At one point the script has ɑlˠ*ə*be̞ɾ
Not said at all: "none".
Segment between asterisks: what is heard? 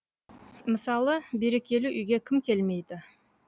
ə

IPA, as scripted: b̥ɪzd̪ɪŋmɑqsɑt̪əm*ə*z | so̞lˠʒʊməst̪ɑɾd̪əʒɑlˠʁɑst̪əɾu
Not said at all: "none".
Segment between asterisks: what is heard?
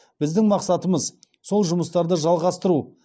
ə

